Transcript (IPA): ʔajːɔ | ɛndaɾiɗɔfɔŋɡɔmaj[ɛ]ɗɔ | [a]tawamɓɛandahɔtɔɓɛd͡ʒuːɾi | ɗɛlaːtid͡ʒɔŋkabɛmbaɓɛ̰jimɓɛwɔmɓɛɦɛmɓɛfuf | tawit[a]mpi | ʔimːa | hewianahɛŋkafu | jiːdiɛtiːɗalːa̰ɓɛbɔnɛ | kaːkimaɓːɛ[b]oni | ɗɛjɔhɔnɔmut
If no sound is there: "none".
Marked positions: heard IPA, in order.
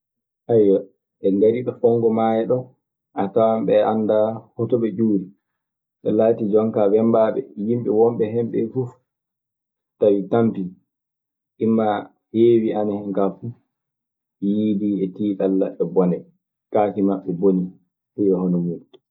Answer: ɛ, a, a, b

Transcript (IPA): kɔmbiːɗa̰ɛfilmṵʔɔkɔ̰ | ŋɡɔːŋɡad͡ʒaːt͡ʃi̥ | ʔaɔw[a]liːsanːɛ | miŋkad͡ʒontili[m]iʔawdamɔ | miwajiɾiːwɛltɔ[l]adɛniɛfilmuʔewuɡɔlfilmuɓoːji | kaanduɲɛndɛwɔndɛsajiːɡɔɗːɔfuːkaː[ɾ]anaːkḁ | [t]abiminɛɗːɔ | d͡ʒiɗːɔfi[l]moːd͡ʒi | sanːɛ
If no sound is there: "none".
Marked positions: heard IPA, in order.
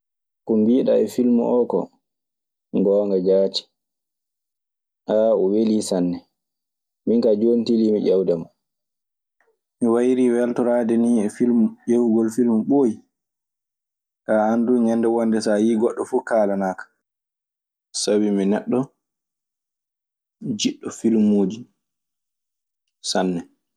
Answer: e, m, ɾ, l, s, l

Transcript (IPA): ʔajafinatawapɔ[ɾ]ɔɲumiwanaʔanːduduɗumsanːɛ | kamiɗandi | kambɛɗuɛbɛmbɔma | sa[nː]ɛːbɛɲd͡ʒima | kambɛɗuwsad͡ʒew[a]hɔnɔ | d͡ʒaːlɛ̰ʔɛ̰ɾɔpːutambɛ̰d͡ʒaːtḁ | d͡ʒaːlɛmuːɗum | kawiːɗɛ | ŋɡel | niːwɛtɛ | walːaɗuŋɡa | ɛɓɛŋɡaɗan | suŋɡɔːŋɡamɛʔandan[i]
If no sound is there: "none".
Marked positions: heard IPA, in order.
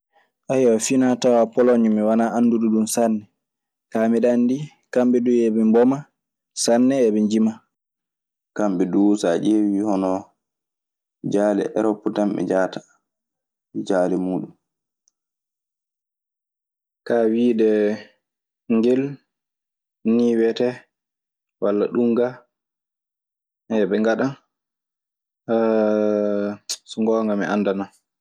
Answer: l, nː, i, a

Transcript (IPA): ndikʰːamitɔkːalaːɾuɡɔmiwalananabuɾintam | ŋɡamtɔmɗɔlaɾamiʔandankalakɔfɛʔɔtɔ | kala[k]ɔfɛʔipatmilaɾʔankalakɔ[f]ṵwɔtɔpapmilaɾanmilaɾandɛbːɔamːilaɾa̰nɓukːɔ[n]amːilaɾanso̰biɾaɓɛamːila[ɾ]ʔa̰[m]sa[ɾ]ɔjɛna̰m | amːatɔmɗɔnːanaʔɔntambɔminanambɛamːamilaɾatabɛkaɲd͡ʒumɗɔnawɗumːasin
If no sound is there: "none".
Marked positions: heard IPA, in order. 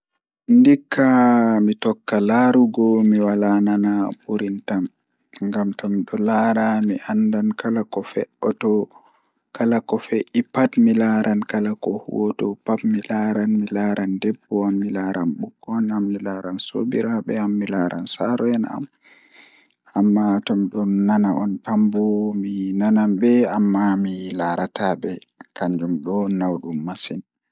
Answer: k, h, n, ɾ, n, ɾ

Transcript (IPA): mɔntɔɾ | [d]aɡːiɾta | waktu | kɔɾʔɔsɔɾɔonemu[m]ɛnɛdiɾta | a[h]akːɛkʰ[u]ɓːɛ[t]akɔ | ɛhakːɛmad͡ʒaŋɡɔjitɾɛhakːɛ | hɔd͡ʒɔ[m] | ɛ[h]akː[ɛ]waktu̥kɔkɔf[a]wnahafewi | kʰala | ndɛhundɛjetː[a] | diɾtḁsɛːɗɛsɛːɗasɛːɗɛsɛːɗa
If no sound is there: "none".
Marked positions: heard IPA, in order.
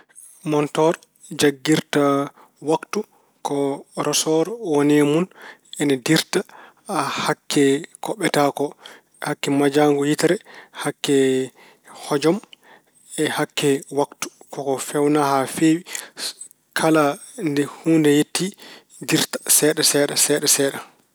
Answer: d͡ʒ, n, h, ɔ, t, m, h, ɛ, ɛ, i

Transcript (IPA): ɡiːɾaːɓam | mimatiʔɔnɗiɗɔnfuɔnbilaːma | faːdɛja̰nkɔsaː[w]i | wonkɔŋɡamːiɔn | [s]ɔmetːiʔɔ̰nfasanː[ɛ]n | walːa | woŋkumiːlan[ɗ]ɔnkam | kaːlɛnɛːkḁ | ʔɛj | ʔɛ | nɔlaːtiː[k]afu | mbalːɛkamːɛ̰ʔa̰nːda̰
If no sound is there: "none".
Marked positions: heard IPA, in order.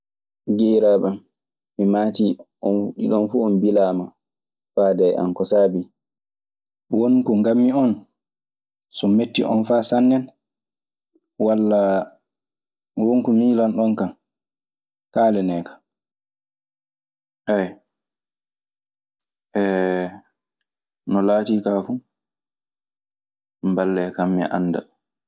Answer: b, s, ɛ, ɗ, k

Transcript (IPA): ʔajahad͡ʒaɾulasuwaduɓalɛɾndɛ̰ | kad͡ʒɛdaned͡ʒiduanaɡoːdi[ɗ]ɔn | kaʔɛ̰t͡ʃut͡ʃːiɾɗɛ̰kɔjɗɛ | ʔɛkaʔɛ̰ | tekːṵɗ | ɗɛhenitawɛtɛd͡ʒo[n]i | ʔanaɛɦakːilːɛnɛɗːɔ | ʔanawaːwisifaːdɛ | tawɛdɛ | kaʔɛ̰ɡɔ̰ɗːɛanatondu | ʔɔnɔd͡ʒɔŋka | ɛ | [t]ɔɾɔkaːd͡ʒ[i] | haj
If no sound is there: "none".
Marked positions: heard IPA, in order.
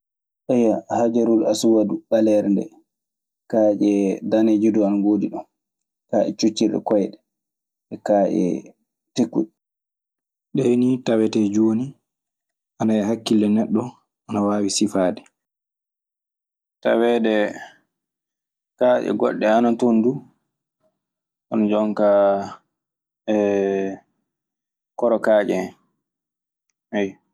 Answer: ɗ, n, k, ɛ

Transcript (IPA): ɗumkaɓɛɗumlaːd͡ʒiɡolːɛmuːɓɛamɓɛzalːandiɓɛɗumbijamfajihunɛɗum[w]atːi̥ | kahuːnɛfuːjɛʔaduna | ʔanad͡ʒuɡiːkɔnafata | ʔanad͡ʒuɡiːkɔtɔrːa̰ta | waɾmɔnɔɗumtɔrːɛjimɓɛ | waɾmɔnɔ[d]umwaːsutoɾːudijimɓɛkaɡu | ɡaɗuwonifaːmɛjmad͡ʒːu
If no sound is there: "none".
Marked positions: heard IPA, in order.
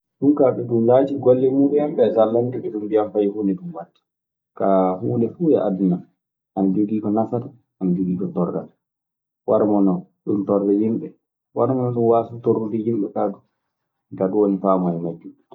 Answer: w, ɗ

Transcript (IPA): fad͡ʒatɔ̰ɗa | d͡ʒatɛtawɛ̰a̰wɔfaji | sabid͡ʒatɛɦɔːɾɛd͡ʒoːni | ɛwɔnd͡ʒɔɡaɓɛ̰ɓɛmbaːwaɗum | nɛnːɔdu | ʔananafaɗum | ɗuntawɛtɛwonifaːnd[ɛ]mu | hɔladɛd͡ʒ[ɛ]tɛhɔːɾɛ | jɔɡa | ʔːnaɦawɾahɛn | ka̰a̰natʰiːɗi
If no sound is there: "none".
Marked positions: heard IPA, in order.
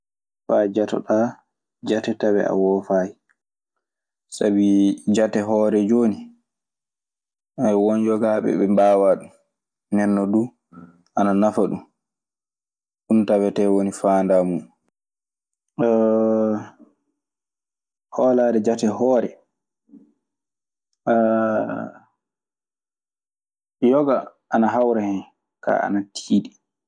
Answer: a, a

